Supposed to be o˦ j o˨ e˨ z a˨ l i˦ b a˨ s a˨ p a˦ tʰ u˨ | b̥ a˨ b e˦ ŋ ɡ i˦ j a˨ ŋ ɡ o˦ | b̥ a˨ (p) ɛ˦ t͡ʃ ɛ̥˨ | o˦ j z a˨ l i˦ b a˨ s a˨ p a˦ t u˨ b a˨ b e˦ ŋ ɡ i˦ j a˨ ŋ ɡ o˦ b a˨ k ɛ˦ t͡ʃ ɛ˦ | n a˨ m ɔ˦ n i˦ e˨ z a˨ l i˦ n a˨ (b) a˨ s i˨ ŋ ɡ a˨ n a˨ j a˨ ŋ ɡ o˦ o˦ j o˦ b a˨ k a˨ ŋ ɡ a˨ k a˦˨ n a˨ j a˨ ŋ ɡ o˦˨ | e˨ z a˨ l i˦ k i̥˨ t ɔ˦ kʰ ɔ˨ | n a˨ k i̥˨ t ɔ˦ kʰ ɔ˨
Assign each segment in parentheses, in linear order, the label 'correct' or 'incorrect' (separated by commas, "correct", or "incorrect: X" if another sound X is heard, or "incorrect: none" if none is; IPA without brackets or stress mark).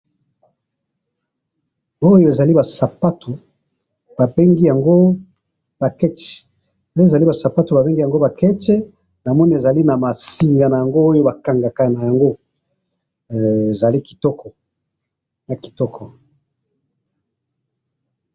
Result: incorrect: k, incorrect: m